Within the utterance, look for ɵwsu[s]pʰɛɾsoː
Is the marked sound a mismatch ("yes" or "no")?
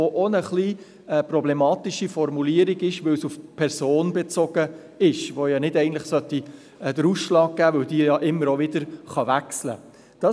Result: yes